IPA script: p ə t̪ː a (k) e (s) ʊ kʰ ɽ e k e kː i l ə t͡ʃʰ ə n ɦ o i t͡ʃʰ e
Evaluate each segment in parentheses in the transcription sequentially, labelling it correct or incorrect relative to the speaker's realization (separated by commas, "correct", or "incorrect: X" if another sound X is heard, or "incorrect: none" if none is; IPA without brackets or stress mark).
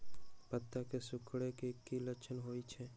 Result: correct, correct